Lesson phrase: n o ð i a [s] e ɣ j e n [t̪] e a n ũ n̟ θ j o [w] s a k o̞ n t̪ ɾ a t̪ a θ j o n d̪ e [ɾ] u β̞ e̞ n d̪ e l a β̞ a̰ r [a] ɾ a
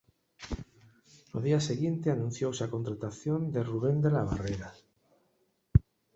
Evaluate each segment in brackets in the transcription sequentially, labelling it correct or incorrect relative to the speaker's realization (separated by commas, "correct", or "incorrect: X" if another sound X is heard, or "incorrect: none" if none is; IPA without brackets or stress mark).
correct, correct, correct, incorrect: r, incorrect: e